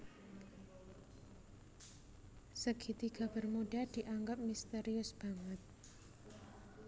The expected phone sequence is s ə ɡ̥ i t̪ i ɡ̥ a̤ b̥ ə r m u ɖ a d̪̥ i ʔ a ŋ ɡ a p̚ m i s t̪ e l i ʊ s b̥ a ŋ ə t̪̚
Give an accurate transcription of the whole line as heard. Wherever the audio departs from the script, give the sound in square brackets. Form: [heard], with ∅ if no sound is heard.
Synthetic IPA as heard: s ə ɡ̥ i t̪ i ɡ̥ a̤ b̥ ə r m u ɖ a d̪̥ i ʔ a ŋ ɡ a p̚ m i s t̪ e [ɾ] i ʊ s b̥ a ŋ ə t̪̚

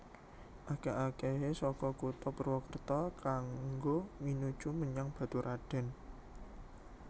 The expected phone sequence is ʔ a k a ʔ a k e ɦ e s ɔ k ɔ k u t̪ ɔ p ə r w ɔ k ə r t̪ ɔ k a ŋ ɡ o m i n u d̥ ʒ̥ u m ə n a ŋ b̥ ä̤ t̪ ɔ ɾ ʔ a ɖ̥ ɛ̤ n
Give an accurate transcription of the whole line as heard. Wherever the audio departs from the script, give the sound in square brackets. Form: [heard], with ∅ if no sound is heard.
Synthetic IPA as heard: ʔ a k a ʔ a k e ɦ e s ɔ k ɔ k u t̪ ɔ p ə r w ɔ k ə r t̪ ɔ k a ŋ ɡ o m i n u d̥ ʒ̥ u m ə [ɲ] a ŋ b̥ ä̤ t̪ [u] ɾ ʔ a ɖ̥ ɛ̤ n

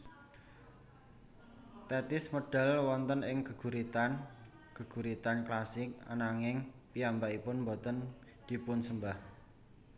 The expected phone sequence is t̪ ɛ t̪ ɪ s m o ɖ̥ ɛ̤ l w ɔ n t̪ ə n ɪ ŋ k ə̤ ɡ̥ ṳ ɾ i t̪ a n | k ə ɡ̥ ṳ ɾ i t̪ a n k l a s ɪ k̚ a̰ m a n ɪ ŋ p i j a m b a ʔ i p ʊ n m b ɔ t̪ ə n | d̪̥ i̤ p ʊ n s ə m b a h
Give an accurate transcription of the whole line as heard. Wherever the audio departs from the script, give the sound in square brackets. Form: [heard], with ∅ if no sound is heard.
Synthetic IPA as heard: t̪ ɛ t̪ ɪ s m o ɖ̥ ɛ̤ l w ɔ n t̪ ə n ɪ ŋ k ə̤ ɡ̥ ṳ ɾ i t̪ a n | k ə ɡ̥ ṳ ɾ i t̪ a n k l a s ɪ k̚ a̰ [n] a [ŋ] ɪ ŋ p i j a m b a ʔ i p ʊ n m b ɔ t̪ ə n | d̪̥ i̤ p ʊ n s ə m b a h

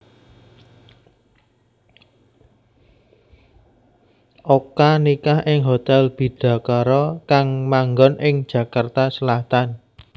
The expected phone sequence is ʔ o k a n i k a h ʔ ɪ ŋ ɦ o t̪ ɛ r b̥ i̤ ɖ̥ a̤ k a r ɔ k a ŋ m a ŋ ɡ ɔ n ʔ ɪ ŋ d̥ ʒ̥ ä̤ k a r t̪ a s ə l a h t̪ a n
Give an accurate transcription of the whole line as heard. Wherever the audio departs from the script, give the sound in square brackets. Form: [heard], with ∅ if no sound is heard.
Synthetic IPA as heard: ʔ o k a n i k a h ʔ ɪ ŋ ɦ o t̪ ɛ [l] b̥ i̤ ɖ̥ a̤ k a [ɾ] ɔ k a ŋ m a ŋ ɡ ɔ n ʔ ɪ ŋ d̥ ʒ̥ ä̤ k a r t̪ a s ə l a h t̪ a n

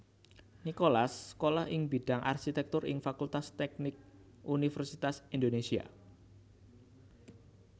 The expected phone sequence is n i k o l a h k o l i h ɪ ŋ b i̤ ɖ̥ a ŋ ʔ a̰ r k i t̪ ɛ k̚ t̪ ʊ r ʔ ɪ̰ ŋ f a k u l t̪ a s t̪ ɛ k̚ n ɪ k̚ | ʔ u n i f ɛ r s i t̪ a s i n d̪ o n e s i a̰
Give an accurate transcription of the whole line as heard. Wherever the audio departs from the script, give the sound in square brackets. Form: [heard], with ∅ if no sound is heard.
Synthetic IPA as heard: n i k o l a [s] k o l [a] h ɪ ŋ b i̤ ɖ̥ a ŋ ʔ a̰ r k i t̪ ɛ k̚ t̪ ʊ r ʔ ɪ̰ ŋ f a k u l t̪ a s t̪ ɛ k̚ n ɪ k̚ | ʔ u n i f ɛ r s i t̪ a s i n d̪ o n e s i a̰

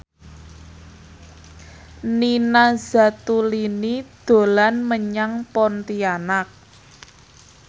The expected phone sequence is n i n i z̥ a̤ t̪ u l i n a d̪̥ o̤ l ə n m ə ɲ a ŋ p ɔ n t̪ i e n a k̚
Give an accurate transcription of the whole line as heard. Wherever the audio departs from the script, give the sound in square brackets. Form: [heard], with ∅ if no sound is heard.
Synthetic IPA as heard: n i n [a] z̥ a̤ t̪ u l i n [i] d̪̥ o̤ l [a] n m ə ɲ a ŋ p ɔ n t̪ i [a] n a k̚

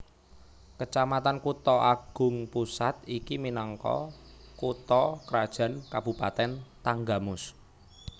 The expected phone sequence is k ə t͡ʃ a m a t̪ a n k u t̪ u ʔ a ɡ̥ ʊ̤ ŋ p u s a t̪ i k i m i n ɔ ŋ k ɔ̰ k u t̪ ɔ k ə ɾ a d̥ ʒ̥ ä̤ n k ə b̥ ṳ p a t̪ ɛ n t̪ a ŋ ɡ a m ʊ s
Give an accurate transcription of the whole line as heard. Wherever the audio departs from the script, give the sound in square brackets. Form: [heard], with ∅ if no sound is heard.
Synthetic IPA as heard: k ə t͡ʃ a m a t̪ a n k u t̪ [ɔ] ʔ a ɡ̥ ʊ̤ ŋ p u s a t̪ i k i m i n ɔ ŋ k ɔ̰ k u t̪ ɔ k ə ɾ a d̥ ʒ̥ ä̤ n k [a] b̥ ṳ p a t̪ ɛ n t̪ a ŋ ɡ a m ʊ s

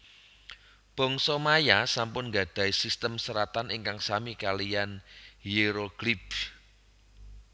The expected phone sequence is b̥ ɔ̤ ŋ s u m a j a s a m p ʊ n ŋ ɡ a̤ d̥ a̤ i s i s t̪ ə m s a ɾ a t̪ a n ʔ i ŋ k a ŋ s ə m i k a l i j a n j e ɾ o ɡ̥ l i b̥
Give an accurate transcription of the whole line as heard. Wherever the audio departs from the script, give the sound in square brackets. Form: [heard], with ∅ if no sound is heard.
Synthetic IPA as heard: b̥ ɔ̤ ŋ s [ɔ] m a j a s a m p ʊ n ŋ ɡ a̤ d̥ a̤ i s i s t̪ ə m s [ə] ɾ a t̪ a n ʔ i ŋ k a ŋ s [a] m i k a l i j a n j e ɾ o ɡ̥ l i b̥

